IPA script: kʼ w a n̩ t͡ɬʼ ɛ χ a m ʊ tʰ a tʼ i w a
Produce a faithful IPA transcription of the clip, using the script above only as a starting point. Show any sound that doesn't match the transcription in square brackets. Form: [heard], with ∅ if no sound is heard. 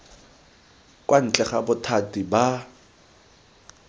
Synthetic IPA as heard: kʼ w a n̩ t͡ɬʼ ɛ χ a [b] ʊ tʰ a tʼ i [b] a